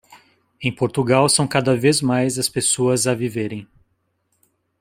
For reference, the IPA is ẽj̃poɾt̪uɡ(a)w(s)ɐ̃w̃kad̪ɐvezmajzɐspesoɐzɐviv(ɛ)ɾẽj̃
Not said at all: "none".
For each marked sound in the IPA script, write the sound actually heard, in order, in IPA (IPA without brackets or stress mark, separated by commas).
a, s, e